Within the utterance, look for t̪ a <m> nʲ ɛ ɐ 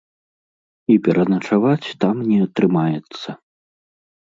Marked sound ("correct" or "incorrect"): correct